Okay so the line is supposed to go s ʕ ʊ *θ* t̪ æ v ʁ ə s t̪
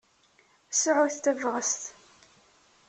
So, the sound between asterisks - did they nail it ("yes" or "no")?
yes